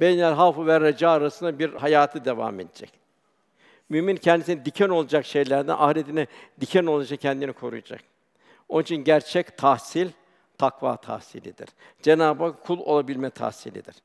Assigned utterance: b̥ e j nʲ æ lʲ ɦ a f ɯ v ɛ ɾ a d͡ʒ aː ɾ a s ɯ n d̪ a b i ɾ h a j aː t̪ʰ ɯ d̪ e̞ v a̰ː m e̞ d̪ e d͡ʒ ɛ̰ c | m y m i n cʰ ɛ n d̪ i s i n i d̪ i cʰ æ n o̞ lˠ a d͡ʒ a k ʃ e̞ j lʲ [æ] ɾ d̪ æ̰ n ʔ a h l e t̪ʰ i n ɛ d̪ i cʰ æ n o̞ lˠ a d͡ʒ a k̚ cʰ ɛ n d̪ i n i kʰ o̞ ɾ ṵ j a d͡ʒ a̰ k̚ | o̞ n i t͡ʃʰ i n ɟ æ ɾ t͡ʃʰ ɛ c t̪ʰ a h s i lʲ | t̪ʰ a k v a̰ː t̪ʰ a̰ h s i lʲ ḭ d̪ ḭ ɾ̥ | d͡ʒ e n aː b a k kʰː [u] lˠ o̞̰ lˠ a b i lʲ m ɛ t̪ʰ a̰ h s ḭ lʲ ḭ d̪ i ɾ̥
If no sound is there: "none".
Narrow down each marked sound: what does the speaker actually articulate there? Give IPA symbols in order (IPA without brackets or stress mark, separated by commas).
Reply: æ, u